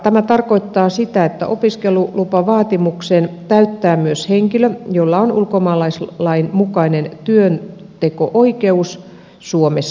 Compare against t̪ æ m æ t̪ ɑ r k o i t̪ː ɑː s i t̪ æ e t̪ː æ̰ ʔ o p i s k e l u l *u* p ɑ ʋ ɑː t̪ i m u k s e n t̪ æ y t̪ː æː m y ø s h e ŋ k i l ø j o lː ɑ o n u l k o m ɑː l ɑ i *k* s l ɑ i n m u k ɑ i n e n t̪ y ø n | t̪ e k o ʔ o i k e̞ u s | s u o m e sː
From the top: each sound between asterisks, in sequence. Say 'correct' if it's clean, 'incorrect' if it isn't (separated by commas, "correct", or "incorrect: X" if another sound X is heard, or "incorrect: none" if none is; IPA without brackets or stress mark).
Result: correct, incorrect: none